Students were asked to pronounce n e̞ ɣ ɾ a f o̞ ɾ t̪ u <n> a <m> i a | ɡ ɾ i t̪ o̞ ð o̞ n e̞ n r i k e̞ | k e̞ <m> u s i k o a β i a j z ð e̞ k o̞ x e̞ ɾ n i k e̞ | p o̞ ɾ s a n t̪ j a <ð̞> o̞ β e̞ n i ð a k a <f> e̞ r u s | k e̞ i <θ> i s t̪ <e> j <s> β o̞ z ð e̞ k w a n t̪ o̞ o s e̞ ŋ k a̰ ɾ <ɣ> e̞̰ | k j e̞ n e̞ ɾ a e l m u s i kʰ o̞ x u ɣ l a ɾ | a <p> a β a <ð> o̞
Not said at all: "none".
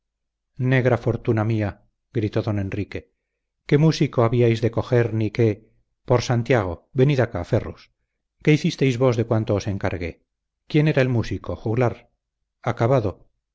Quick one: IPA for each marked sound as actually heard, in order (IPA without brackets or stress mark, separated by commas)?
n, m, m, ɣ̞, f, θ, e, z, ɣ, k, ð